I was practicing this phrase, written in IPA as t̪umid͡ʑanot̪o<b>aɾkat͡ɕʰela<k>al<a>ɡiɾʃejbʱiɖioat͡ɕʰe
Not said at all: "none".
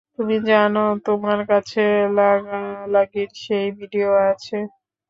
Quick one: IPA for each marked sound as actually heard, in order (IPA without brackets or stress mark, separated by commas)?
m, ɡ, a